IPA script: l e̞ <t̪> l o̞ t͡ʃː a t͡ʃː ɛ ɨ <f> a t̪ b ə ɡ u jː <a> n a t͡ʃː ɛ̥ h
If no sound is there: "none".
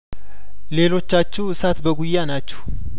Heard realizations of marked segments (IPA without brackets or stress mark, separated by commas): none, s, a